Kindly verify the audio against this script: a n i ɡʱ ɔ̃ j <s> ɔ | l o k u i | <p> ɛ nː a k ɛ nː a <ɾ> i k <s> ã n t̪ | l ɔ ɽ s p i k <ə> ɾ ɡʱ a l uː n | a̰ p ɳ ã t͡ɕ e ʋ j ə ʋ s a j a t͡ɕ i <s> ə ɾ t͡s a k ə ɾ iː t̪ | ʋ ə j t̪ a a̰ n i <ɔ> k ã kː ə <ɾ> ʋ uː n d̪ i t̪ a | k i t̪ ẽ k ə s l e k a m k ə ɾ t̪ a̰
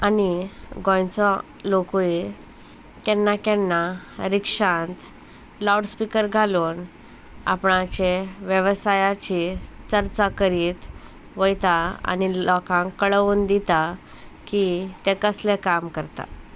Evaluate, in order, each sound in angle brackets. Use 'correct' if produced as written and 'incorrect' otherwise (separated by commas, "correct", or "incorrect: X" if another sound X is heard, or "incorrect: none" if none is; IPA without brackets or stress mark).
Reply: incorrect: t͡s, incorrect: k, correct, incorrect: ʂ, correct, incorrect: t͡s, correct, incorrect: ɭ